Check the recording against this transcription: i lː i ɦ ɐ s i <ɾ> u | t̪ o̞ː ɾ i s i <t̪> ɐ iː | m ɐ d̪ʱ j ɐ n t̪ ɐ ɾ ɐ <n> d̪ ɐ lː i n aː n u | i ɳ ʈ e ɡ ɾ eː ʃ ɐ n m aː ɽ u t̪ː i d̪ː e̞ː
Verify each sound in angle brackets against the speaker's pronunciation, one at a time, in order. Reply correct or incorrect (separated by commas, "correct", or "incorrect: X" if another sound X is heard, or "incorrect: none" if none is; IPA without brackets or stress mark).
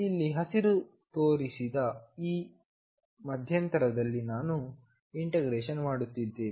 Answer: correct, incorrect: d̪, incorrect: none